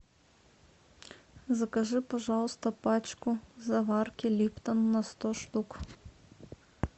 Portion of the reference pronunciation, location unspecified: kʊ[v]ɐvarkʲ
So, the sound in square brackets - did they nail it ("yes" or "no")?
no